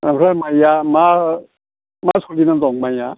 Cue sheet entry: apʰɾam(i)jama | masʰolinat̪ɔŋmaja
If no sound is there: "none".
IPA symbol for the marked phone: a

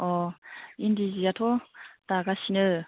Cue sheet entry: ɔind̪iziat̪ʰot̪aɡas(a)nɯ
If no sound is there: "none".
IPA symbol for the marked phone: i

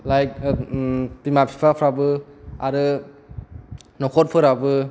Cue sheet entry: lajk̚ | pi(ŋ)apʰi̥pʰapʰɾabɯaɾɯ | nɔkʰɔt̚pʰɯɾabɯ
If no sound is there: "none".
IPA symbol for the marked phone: m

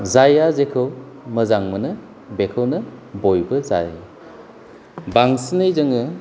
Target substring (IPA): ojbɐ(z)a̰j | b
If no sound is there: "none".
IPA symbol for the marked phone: z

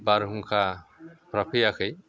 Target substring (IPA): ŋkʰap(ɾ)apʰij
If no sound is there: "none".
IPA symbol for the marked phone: ɾ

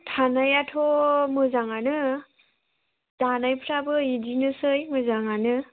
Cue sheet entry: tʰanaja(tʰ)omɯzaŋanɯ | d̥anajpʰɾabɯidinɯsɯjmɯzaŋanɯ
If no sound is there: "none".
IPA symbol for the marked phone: tʰ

